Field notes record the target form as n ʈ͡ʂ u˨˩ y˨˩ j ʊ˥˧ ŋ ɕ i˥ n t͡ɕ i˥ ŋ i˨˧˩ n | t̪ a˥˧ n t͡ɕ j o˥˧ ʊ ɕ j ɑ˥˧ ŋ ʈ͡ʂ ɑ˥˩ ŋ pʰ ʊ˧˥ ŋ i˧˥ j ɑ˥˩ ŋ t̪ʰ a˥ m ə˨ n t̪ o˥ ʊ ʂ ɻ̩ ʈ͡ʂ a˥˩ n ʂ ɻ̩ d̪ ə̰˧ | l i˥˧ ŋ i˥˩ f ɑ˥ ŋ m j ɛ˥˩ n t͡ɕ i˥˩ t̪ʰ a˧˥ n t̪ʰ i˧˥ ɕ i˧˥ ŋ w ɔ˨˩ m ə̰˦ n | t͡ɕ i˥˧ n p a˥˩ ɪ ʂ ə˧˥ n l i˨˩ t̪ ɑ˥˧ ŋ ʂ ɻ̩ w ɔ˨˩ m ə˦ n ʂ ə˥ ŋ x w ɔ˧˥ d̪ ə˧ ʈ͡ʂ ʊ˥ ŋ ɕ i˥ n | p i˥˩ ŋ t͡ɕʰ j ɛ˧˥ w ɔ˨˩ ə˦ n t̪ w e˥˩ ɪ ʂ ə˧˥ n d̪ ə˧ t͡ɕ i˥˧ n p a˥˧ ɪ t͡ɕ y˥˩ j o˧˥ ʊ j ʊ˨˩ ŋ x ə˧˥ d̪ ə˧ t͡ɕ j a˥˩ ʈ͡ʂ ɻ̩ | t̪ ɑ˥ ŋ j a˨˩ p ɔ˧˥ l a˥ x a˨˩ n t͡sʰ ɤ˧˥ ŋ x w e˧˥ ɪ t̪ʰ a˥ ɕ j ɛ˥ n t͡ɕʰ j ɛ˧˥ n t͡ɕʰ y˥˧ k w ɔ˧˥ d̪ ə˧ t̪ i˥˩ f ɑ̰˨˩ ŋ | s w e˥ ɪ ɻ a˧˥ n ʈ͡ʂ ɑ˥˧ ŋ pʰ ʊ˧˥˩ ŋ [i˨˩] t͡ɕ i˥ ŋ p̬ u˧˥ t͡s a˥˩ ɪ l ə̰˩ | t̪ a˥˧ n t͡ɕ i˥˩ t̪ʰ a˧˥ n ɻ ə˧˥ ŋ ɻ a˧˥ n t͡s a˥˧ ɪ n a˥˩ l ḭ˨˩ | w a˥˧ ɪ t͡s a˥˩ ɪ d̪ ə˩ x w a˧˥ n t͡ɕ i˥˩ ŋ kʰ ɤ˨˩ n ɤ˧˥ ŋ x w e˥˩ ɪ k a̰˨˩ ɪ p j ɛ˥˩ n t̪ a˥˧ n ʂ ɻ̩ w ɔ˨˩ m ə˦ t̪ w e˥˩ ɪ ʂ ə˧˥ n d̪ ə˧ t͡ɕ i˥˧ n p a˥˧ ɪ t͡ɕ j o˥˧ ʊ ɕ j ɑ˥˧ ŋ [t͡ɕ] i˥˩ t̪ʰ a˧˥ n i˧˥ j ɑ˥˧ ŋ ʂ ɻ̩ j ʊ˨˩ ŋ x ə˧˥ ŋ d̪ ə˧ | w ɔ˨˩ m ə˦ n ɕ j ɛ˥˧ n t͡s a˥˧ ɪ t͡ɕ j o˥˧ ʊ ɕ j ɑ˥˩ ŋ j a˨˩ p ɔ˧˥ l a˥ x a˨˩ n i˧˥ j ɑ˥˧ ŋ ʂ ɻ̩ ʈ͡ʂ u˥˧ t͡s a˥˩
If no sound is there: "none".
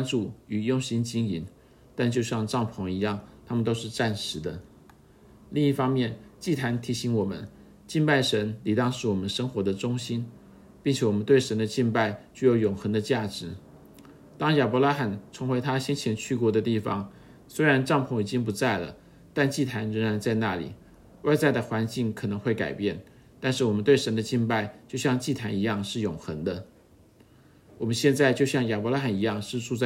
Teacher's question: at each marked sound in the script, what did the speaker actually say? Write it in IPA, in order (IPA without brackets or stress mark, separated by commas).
i˨˩, t͡ɕ